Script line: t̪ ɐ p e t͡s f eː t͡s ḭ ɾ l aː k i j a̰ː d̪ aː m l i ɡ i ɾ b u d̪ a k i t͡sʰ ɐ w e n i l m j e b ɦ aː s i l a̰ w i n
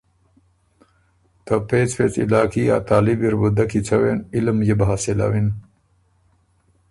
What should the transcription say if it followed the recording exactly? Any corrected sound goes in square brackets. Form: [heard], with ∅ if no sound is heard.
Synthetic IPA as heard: t̪ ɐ p e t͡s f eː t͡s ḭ [∅] l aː k i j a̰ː [t̪] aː [∅] l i [b] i ɾ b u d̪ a k i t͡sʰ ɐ w e n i l m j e b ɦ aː s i l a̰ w i n